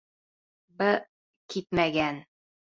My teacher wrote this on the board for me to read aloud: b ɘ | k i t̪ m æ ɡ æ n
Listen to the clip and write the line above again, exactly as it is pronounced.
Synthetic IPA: b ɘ | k i t̪ m æ ɡ æ n